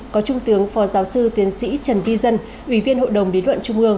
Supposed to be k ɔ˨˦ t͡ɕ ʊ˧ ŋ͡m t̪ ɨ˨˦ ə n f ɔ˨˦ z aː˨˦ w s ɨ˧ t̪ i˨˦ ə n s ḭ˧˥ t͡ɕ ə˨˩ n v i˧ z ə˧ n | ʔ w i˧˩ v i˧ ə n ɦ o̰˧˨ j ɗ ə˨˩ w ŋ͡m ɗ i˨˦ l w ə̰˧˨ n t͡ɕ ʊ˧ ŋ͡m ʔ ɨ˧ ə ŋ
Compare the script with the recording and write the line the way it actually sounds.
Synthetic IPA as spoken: k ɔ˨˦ t͡ɕ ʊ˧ ŋ͡m t̪ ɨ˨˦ ə ŋ f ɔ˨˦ z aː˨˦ w s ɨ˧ t̪ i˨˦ ə n s ḭ˧˥ t͡ɕ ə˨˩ n v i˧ z ə˧ n | ʔ w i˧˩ v i˧ ə n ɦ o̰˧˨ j ɗ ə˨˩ w ŋ͡m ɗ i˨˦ l w ə̰˧˨ n t͡ɕ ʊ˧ ŋ͡m ʔ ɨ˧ ə ŋ